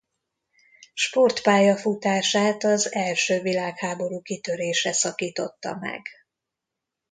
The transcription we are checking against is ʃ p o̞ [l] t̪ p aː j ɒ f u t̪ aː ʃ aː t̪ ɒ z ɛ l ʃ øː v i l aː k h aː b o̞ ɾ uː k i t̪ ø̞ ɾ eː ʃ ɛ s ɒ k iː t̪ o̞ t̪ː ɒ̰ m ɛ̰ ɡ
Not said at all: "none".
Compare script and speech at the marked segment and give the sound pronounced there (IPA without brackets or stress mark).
r